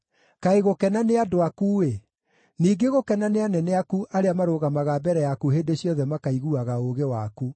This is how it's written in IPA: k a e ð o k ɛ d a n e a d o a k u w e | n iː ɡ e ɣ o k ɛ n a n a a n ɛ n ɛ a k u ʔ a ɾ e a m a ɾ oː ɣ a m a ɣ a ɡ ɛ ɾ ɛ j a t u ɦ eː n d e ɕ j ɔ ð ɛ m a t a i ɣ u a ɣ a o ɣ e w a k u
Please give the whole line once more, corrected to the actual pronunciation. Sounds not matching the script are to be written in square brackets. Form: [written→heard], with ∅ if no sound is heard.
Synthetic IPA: k a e [ð→ɣ] o k ɛ [d→n] a n e a d o a k u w e | n iː ɡ e ɣ o k ɛ n a n [a→e] a n ɛ n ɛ a k u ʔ a ɾ e a m a ɾ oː ɣ a m a ɣ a [ɡ→b] ɛ ɾ ɛ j a [t→k] u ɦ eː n d e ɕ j ɔ ð ɛ m a [t→k] a i ɣ u a ɣ a o ɣ e w a k u

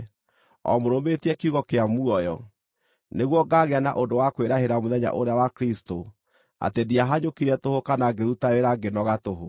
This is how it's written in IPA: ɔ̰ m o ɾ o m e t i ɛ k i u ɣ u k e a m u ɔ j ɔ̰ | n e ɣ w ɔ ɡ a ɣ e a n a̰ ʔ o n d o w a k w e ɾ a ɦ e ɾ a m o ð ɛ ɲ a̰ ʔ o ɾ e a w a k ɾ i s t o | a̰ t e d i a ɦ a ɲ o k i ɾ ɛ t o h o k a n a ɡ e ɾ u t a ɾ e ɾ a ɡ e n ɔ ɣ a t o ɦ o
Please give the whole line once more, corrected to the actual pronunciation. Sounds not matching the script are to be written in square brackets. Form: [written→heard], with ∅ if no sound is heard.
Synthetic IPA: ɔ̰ m o ɾ o m e t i ɛ k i u ɣ [u→ɔ] k e a m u ɔ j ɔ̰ | n e ɣ w ɔ ɡ a ɣ e a n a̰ ʔ o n d o w a k w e ɾ a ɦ e ɾ a m o ð ɛ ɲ a̰ ʔ o ɾ e a w a k ɾ i s t o | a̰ t e d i a ɦ a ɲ o k i ɾ ɛ t o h o k a n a ɡ e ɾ u t a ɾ e ɾ a ɡ e n ɔ ɣ a t o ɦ o

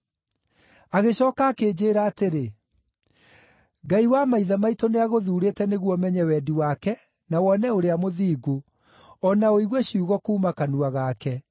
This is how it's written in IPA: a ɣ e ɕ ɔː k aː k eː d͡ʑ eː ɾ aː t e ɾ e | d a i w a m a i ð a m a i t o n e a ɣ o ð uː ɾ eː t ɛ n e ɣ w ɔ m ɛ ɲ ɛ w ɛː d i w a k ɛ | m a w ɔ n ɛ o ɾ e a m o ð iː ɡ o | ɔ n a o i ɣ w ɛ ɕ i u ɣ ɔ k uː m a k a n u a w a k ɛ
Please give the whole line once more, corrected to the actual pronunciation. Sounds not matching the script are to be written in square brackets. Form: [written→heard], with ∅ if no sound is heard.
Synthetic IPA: a ɣ e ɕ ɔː k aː k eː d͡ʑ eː ɾ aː t e ɾ e | [d→ɡ] a i w a m a i ð a m a i t o n e a ɣ o ð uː ɾ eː t ɛ n e ɣ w ɔ m ɛ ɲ ɛ w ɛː d i w a k ɛ | [m→n] a w ɔ n ɛ o ɾ e a m o ð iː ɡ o | ɔ n a o i ɣ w ɛ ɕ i u ɣ ɔ k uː m a k a n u a [w→ɣ] a k ɛ

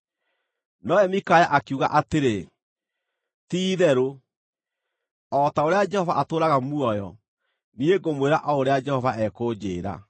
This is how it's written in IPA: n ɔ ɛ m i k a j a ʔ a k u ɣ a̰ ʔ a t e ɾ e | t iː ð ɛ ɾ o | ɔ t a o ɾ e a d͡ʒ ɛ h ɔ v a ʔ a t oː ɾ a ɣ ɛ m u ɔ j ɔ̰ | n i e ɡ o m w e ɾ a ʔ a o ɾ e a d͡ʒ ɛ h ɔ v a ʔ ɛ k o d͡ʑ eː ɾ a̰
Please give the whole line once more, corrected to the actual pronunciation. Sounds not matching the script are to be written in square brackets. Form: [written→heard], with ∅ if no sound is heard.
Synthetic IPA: n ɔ ɛ m i k a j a ʔ a k u ɣ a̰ ʔ a t e ɾ e | t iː ð ɛ ɾ o | ɔ t a o ɾ e a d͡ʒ ɛ h ɔ v a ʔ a t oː ɾ a ɣ [ɛ→a] m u ɔ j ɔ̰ | n i e ɡ o m w e ɾ a ʔ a o ɾ e a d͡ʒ ɛ h ɔ v a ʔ ɛ k o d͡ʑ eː ɾ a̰

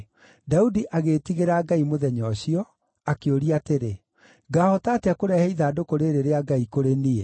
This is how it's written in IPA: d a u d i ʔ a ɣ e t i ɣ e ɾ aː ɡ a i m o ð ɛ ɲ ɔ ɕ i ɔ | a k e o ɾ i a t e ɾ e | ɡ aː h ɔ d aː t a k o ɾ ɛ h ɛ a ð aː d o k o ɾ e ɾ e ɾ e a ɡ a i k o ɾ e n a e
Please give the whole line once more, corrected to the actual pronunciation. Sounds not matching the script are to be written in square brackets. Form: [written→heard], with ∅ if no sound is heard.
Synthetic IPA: d a u d i ʔ a ɣ e t i ɣ e ɾ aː ɡ a i m o ð ɛ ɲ ɔ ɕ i ɔ | a k e o ɾ i a t e ɾ e | ɡ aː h ɔ [d→t] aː t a k o ɾ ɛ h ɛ [a→i] ð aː d o k o ɾ e ɾ e ɾ e a ɡ a i k o ɾ e n [a→i] e

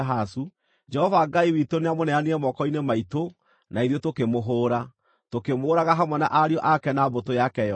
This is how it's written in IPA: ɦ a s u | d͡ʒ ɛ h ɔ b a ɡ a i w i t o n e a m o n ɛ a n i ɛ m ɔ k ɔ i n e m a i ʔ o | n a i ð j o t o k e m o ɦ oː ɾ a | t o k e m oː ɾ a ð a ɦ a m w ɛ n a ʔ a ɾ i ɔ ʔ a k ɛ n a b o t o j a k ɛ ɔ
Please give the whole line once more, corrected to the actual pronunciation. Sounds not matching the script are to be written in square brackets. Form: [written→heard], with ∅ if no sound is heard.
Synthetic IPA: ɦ a s u | d͡ʒ ɛ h ɔ [b→v] a ɡ a i w i t o n e a m o n ɛ a n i ɛ m ɔ k ɔ i n e m a i [ʔ→t] o | n a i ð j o t o k e m o ɦ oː ɾ a | t o k e m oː ɾ a [ð→ɣ] a ɦ a m w ɛ n a ʔ a ɾ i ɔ ʔ a k ɛ n a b o t o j a k ɛ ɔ

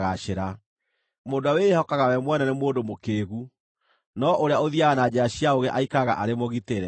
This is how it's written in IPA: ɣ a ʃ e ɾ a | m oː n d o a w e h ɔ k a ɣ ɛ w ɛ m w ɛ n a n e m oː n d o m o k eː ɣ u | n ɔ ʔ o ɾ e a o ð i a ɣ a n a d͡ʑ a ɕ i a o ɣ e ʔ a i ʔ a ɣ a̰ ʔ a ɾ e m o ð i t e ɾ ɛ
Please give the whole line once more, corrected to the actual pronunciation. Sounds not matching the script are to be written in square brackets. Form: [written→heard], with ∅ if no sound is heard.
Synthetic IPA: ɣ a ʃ e ɾ a | m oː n d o a w e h ɔ k a ɣ [ɛ→a] w ɛ m w ɛ n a n e m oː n d o m o k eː ɣ u | n ɔ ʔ o ɾ e a o ð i a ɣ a n a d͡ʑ a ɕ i a o ɣ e ʔ a i [ʔ→k] a ɣ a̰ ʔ a ɾ e m o [ð→ɣ] i t e ɾ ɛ

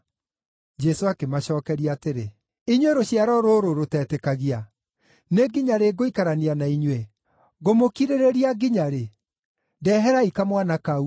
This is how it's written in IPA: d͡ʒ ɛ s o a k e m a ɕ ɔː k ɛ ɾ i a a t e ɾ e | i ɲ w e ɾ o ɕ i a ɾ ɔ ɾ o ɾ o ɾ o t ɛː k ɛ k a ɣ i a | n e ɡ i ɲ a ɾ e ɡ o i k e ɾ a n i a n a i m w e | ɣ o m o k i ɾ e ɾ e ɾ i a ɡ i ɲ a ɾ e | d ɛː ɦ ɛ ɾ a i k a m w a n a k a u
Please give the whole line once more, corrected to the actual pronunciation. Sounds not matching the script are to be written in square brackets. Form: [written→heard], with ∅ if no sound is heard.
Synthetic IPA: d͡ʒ ɛ s o a k e m a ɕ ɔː k ɛ ɾ i a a t e ɾ e | i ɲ w e ɾ o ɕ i a ɾ ɔ ɾ o ɾ o ɾ o t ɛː [k→t] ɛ k a ɣ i a | n e ɡ i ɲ a ɾ e ɡ o i k [e→a] ɾ a n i a n a i [m→ɲ] w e | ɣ o m o k i ɾ e ɾ e ɾ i a ɡ i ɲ a ɾ e | d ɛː ɦ ɛ ɾ a i k a m w a n a k a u

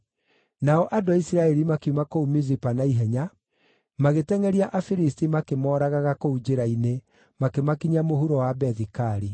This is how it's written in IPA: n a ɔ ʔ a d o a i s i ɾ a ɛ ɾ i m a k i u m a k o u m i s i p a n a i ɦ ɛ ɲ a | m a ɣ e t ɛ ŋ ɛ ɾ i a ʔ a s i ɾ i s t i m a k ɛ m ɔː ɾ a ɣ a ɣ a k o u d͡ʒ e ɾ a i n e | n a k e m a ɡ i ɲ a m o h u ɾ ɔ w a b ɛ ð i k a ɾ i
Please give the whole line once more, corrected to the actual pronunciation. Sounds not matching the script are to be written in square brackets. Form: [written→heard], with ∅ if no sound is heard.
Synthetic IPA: n a ɔ ʔ a d o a i s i ɾ a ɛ ɾ i m a k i u m a k o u m i [s→z] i p a n a i ɦ ɛ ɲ a | m a ɣ e t ɛ ŋ ɛ ɾ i a ʔ a [s→f] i ɾ i s t i m a k [ɛ→e] m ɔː ɾ a ɣ a ɣ a k o u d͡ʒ e ɾ a i n e | [n→m] a k e m a [ɡ→k] i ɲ a m o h u ɾ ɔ w a b ɛ ð i k a ɾ i

